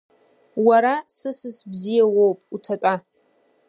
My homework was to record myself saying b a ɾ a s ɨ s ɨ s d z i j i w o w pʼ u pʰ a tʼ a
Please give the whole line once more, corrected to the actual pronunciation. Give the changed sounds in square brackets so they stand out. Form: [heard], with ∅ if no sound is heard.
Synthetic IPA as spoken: [w] a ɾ a s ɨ s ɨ s [b] z i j [a] w o w pʼ u [tʰ] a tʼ a